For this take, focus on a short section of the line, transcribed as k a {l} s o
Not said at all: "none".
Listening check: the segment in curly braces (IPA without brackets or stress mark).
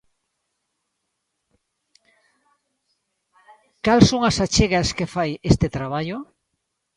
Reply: l